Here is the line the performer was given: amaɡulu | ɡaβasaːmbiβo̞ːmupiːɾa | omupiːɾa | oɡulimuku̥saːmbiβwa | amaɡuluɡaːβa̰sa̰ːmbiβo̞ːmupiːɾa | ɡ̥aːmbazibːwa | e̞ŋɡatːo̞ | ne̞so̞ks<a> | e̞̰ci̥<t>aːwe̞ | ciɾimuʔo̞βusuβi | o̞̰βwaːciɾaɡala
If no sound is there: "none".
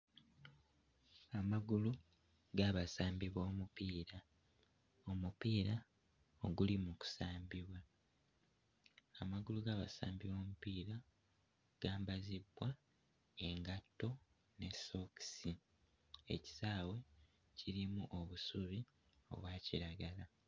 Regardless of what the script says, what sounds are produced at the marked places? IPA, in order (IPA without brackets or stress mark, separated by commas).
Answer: i, s